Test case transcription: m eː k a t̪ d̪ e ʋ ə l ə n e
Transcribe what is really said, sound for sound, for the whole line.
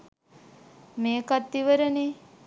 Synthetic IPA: m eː k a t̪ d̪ i ʋ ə ɾ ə n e